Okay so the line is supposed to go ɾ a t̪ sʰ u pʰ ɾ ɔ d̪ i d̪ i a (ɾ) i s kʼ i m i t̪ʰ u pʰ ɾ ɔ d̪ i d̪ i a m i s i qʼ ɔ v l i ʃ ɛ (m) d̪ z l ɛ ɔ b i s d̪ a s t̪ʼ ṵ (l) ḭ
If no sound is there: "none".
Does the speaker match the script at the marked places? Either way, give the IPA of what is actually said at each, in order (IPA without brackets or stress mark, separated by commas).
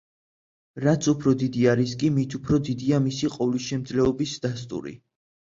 ɾ, m, ɾ